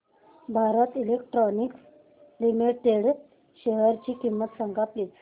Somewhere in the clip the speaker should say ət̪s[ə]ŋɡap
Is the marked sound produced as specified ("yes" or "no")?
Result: yes